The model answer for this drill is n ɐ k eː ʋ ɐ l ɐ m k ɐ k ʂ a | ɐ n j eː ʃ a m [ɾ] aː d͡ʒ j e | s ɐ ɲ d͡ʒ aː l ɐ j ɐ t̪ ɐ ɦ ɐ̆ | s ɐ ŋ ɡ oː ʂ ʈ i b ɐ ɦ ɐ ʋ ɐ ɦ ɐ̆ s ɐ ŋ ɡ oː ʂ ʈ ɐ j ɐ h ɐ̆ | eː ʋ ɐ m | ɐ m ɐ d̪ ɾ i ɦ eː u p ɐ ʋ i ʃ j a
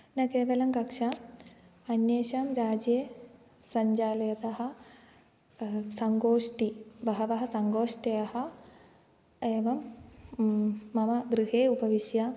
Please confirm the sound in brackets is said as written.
yes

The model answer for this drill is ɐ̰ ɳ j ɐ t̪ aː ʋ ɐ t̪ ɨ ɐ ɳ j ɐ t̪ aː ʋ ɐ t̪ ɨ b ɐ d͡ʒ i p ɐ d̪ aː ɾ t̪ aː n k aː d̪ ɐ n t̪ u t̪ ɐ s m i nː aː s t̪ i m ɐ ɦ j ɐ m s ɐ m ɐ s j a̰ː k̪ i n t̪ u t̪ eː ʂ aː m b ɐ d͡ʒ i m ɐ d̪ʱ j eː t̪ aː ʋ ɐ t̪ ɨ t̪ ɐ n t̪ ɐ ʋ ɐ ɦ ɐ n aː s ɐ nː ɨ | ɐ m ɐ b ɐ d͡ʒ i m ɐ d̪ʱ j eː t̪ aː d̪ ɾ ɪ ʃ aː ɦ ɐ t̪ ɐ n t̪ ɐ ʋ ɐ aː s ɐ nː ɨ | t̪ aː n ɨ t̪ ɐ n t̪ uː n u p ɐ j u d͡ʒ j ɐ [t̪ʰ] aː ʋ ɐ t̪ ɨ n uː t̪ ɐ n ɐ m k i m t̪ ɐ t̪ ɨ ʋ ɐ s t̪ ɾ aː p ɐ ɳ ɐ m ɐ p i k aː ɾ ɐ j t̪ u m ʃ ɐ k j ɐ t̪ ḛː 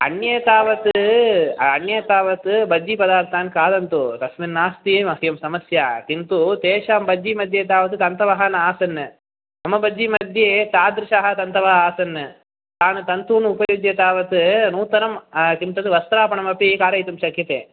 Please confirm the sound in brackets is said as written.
no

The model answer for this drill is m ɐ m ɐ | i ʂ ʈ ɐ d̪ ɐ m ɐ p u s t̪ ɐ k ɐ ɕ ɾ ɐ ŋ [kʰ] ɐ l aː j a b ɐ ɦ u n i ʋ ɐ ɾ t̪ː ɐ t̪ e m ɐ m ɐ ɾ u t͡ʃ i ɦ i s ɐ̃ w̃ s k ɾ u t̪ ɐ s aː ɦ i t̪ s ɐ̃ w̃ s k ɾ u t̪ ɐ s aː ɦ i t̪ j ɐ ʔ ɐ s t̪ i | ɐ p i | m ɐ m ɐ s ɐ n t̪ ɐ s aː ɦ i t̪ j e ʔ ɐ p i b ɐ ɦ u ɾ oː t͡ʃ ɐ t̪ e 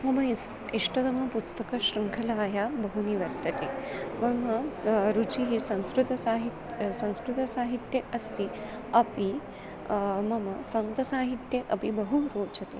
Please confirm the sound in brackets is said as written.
yes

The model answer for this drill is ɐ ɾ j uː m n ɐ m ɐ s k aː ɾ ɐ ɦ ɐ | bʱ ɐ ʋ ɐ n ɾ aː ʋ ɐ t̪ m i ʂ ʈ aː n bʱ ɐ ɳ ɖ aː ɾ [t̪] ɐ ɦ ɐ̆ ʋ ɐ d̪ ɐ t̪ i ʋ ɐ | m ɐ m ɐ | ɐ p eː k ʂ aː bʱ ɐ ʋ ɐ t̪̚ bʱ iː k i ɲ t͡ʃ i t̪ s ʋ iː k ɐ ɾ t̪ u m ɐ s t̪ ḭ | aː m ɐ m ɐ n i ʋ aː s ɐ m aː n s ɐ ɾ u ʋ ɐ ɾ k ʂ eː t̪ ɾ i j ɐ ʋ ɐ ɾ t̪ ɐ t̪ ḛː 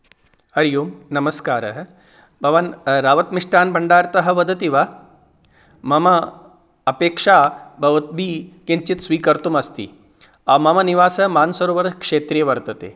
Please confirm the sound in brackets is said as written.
yes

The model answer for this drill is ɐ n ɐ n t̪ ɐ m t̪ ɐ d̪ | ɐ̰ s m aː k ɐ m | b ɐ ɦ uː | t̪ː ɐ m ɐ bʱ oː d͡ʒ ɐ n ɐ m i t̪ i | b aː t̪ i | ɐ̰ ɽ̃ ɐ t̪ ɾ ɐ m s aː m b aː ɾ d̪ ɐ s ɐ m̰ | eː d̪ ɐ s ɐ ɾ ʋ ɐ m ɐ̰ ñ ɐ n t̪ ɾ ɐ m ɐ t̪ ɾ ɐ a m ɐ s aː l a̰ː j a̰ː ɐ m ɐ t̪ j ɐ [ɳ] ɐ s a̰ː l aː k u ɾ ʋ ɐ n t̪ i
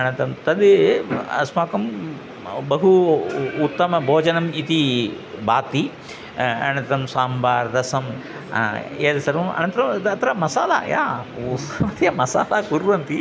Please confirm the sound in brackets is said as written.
no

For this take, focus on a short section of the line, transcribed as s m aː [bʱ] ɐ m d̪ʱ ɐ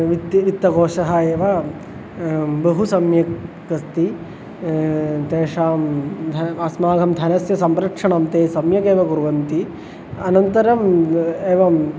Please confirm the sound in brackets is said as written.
no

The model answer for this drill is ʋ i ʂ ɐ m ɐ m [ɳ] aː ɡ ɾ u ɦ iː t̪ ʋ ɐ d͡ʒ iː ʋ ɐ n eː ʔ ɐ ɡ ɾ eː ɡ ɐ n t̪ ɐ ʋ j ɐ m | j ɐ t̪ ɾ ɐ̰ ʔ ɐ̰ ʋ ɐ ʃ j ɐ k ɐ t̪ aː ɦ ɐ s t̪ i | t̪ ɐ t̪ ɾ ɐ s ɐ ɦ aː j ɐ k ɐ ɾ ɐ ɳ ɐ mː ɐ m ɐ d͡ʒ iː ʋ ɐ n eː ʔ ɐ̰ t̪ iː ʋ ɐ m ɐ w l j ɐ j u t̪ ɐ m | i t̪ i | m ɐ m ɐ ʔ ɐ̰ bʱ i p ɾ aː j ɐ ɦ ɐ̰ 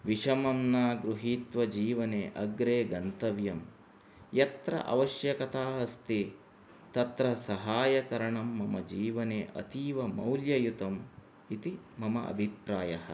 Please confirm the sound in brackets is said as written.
no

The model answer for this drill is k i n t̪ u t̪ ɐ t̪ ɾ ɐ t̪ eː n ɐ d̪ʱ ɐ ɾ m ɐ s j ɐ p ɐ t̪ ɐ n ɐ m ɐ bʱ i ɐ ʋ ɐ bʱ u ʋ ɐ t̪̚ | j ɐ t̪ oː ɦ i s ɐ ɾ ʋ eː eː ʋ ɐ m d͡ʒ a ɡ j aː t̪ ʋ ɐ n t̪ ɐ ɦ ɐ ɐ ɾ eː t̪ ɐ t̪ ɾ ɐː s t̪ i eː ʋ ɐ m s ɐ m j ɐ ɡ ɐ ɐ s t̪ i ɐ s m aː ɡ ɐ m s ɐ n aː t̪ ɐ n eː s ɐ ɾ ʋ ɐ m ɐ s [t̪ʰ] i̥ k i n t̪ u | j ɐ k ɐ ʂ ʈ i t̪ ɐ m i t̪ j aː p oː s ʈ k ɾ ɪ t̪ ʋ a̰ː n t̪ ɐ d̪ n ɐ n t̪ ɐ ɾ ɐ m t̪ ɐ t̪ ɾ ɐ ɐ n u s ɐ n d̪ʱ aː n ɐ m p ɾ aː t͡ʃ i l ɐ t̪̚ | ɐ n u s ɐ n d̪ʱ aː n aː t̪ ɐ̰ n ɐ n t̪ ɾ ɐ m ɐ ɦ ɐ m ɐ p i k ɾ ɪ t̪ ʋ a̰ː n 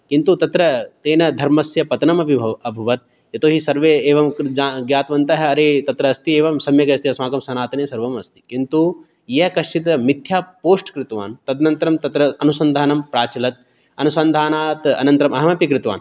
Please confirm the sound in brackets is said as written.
no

